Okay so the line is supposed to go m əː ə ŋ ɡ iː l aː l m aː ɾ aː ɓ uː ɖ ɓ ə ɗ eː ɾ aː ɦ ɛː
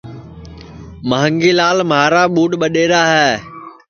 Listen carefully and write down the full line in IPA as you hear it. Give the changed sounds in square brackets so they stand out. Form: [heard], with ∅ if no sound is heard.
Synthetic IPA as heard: m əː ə ŋ ɡ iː l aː l m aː ɾ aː ɓ uː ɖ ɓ ə ɗ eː ɾ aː ɦ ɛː